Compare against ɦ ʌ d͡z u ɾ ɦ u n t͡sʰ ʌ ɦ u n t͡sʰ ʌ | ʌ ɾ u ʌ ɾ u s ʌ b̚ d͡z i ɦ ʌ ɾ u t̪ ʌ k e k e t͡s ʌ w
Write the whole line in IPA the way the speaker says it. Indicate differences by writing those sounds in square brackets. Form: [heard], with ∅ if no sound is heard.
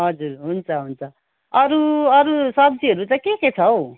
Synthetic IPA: ɦ ʌ d͡z u ɾ ɦ u n t͡sʰ ʌ ɦ u n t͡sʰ ʌ | ʌ ɾ u ʌ ɾ u s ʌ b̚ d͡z i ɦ ʌ ɾ u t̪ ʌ k e k e [t͡sʰ] ʌ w